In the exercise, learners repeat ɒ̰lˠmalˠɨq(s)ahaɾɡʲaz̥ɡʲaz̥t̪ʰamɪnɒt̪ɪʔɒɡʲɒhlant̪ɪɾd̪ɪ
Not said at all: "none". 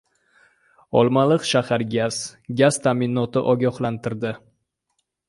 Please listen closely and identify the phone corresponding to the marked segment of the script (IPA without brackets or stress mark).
ʃ